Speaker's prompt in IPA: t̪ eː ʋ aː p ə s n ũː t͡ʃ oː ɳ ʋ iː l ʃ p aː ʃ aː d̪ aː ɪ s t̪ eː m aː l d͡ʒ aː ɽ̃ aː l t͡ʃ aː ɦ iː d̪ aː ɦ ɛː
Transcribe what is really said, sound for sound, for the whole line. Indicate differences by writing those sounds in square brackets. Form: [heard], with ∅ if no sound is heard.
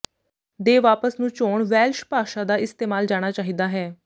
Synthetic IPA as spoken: [d̪] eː ʋ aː p ə s n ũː t͡ʃ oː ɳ ʋ [ɛː] l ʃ p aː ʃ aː d̪ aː ɪ s t̪ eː m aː l d͡ʒ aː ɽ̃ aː [∅] t͡ʃ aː ɦ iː d̪ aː ɦ ɛː